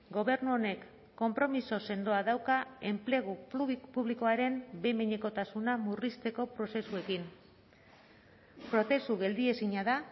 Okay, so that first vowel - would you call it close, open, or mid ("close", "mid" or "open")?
mid